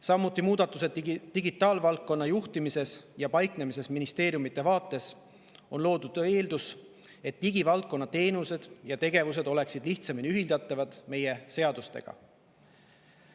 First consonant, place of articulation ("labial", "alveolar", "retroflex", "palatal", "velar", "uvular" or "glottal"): alveolar